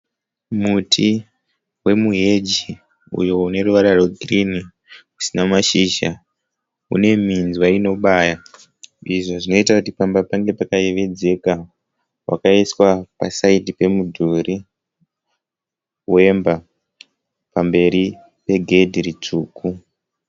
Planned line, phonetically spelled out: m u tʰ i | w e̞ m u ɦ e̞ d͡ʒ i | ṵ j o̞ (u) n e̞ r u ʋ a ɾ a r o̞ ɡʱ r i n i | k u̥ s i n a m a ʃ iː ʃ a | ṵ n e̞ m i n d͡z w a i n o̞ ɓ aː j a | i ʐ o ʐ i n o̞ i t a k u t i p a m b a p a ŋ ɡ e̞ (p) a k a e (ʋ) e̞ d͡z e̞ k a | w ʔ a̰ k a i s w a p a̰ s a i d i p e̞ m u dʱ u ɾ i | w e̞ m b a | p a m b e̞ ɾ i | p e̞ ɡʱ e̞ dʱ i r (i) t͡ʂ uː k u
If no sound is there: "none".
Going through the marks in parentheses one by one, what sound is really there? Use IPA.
u, p, ʋ, i

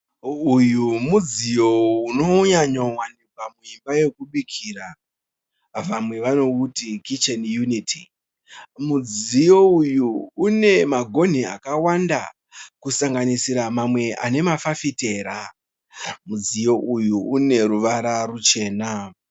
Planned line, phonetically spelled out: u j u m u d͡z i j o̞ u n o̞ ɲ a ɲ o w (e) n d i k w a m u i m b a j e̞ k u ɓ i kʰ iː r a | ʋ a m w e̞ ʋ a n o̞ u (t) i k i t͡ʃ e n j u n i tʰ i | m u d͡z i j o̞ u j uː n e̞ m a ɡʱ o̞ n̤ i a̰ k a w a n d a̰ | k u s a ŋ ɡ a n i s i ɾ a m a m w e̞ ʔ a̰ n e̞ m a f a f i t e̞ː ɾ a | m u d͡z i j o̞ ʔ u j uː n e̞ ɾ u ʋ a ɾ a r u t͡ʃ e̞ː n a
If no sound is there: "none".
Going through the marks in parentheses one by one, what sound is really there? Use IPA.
a, t

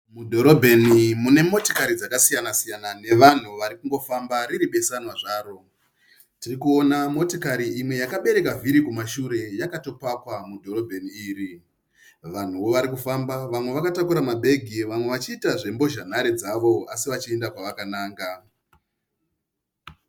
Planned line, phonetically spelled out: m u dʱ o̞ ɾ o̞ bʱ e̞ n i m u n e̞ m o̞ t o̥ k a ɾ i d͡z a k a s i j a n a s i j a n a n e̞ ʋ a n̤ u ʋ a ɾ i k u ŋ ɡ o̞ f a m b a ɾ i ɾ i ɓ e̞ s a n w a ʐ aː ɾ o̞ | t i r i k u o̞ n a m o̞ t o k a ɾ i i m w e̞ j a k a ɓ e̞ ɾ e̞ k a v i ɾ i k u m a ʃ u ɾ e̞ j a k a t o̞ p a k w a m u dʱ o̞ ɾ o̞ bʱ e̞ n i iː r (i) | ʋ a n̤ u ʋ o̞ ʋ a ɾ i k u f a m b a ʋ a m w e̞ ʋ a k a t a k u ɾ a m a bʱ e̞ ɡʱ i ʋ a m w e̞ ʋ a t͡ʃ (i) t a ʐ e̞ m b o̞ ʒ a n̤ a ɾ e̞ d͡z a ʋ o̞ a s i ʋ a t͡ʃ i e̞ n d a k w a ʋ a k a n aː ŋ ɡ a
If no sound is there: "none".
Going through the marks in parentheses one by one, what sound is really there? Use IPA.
i, iː

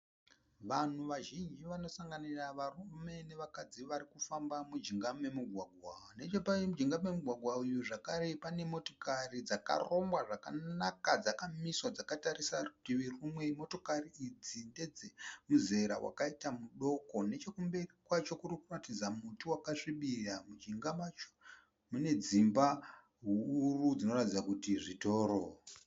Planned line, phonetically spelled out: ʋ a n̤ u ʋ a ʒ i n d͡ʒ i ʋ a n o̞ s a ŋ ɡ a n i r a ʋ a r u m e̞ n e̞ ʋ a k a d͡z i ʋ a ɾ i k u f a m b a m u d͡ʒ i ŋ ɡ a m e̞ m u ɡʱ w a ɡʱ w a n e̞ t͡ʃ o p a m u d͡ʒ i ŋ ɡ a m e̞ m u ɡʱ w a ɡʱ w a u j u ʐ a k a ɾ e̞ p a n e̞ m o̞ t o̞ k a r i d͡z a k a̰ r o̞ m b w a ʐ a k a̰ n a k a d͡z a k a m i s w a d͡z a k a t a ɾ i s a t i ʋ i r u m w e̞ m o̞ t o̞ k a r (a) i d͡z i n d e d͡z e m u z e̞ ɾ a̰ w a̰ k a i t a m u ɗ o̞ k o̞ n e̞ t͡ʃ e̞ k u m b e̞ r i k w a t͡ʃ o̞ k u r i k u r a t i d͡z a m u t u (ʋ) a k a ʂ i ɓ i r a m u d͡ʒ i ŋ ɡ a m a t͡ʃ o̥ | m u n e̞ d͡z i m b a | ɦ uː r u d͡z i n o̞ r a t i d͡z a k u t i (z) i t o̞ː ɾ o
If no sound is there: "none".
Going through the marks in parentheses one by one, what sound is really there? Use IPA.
i, w, ʐ

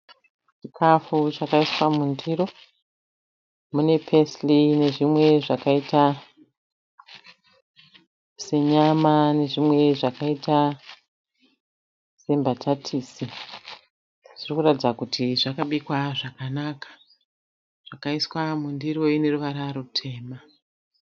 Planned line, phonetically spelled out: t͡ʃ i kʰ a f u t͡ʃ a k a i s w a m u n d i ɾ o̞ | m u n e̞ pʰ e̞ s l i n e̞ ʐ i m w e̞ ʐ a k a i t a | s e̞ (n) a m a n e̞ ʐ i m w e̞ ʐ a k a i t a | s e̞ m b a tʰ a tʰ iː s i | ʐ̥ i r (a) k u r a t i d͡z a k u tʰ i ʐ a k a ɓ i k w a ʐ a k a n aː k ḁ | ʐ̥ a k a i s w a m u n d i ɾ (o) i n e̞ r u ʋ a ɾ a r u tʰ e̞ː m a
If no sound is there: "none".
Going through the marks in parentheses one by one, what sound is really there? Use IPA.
ɲ, i, o

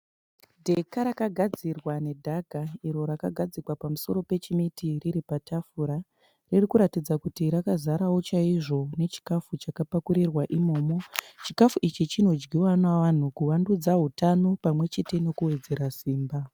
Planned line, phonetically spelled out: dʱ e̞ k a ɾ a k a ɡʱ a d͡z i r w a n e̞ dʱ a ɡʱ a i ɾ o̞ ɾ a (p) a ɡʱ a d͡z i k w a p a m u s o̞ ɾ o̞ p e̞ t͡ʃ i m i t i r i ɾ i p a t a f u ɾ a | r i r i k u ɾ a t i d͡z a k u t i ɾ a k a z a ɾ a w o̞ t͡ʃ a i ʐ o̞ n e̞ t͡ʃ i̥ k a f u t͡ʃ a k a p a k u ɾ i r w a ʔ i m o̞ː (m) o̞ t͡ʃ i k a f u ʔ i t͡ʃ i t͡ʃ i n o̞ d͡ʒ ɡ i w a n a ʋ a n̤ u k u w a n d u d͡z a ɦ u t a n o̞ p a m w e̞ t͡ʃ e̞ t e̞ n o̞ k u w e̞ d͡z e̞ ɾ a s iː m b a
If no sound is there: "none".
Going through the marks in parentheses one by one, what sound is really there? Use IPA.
k, m

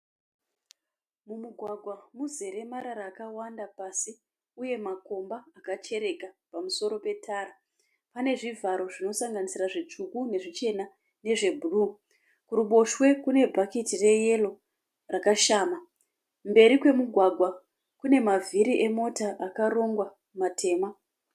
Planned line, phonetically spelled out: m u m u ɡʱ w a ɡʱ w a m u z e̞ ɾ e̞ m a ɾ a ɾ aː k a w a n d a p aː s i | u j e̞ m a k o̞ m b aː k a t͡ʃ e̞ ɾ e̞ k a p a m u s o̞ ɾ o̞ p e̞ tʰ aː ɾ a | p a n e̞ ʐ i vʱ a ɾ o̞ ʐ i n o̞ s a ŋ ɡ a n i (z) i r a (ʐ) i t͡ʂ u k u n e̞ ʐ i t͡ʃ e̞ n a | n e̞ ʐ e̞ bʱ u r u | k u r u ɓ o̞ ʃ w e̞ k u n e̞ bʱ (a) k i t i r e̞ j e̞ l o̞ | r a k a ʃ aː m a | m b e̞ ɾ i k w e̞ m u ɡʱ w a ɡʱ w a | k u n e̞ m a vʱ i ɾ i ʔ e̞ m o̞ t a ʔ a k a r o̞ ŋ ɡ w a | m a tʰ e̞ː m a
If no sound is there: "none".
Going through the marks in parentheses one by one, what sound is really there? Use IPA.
s, ʐ, a

